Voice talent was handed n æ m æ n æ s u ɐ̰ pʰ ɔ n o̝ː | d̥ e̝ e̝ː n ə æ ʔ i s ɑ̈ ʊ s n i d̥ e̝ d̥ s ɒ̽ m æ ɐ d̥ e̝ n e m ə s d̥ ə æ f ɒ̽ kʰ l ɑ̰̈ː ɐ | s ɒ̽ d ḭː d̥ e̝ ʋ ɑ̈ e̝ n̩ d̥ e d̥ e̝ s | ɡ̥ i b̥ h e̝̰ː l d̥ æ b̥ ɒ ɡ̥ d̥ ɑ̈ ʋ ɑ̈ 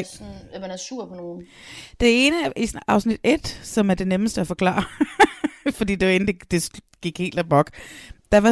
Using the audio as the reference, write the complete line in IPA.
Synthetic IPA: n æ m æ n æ s u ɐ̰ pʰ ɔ n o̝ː | d̥ e̝ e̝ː n ə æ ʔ i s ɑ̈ ʊ s n i d̥ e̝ d̥ s ɒ̽ m æ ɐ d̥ e̝ n e m ə s d̥ ə æ f ɒ̽ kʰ l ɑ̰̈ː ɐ | f ɒ̽ d ḭː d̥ e̝ ʋ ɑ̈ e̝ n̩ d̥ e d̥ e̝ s | ɡ̥ i ɡ̥ h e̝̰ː l d̥ æ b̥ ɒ ɡ̥ d̥ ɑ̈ ʋ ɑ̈